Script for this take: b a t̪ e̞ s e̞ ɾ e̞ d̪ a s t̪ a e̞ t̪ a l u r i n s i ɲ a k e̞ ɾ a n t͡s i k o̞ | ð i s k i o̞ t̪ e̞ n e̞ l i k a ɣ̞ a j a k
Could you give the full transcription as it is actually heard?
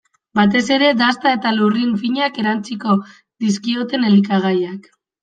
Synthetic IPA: b a t̪ e̞ s e̞ ɾ e̞ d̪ a s t̪ a e̞ t̪ a l u r i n f i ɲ a k e̞ ɾ a n t͡s i k o̞ | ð i s k i o̞ t̪ e̞ n e̞ l i k a ɣ̞ a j a k